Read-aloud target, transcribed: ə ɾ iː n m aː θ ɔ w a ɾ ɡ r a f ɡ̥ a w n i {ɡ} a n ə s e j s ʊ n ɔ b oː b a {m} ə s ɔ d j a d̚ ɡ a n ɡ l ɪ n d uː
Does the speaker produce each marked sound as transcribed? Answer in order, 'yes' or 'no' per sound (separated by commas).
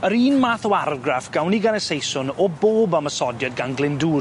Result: yes, yes